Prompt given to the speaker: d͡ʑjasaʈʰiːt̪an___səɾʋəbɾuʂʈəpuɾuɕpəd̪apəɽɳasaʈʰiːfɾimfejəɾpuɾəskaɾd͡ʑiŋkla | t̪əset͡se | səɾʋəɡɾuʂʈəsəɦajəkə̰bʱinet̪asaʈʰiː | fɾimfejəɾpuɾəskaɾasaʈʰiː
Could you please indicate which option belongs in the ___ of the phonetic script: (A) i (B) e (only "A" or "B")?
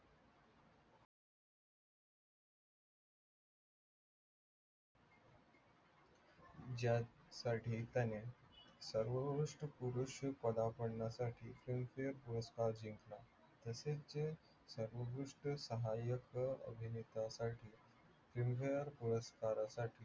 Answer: B